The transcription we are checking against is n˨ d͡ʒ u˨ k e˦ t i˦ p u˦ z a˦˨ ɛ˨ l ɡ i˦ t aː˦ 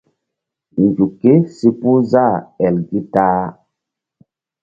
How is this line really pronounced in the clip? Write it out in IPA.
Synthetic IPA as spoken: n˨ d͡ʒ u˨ k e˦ s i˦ p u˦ z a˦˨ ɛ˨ l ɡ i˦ t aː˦